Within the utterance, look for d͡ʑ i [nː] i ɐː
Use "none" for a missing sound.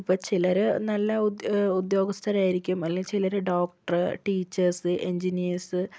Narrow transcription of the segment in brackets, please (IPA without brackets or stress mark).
n